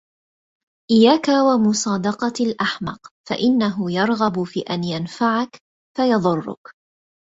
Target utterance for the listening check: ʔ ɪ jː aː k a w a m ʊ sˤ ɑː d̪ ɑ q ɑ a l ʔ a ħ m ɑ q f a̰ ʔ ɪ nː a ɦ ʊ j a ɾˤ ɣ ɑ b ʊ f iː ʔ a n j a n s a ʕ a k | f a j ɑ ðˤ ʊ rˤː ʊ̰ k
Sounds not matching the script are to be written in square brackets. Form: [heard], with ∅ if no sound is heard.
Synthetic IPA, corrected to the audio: ʔ ɪ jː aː k a w a m ʊ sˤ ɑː d̪ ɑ q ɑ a l ʔ a ħ m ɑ q f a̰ ʔ ɪ nː a ɦ ʊ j [ɑ] ɾˤ ɣ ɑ b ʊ f iː ʔ a n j a n [f] a ʕ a k | f a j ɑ ðˤ ʊ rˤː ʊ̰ k